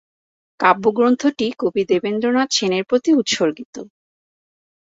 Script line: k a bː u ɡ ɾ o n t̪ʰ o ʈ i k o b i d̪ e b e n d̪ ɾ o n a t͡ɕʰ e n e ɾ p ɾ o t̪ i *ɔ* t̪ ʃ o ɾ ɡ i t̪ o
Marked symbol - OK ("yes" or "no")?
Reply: no